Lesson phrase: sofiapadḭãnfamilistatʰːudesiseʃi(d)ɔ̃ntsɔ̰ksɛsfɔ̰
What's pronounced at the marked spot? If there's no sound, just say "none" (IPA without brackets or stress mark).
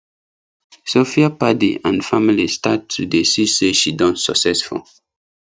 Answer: d